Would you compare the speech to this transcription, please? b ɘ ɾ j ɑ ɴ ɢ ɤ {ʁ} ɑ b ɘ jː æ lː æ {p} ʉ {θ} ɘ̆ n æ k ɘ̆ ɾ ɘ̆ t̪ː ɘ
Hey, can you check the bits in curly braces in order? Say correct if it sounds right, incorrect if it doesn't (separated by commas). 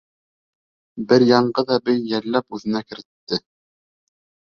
incorrect, correct, incorrect